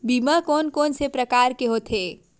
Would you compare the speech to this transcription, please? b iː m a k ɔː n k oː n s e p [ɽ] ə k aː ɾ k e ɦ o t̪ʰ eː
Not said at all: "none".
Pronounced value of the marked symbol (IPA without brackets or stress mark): ɾ